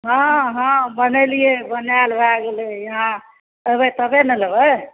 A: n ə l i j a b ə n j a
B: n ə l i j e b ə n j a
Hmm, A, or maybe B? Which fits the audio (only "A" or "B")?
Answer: B